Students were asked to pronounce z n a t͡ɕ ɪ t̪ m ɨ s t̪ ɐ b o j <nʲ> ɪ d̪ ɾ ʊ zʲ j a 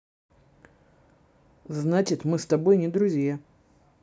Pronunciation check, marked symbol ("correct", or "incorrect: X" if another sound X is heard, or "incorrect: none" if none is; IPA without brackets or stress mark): correct